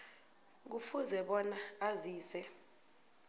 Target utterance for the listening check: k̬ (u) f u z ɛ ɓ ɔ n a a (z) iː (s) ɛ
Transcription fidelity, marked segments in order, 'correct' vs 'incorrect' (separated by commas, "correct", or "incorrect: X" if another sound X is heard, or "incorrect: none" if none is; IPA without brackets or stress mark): correct, correct, correct